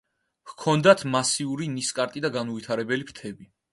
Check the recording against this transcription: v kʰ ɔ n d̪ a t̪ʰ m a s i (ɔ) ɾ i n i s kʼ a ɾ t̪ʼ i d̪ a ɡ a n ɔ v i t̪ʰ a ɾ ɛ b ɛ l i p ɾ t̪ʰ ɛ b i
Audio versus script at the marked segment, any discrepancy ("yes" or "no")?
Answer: yes